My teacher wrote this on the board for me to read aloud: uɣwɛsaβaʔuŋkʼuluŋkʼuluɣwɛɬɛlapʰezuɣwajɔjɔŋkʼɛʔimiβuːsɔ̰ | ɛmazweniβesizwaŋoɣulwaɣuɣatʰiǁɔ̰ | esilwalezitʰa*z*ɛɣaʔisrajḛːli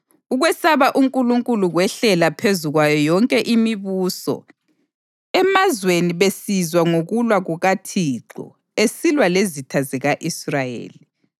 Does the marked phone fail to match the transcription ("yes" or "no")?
no